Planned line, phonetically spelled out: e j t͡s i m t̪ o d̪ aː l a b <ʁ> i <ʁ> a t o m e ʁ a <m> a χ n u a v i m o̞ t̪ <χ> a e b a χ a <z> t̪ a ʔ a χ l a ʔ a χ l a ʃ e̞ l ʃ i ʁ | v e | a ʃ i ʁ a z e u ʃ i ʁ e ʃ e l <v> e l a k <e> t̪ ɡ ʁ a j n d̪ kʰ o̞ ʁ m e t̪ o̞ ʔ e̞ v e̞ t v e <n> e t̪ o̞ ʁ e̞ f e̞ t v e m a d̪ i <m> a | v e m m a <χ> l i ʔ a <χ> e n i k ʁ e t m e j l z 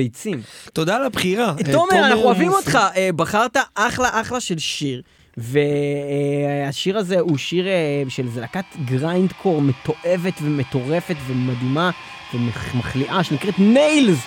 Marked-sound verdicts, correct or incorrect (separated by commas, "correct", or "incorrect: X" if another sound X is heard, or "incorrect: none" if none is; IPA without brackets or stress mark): incorrect: χ, correct, incorrect: n, correct, incorrect: ʁ, incorrect: z, incorrect: a, incorrect: m, correct, correct, incorrect: ʃ